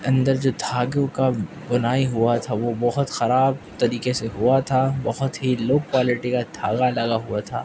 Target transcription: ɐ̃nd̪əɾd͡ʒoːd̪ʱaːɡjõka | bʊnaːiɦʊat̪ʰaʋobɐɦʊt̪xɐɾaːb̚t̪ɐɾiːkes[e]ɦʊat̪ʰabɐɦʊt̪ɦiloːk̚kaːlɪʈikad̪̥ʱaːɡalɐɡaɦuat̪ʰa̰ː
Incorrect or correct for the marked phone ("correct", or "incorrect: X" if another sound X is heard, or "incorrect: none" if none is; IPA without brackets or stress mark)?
correct